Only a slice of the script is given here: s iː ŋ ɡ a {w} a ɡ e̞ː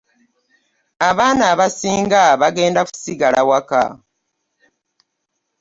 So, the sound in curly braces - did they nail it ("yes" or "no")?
no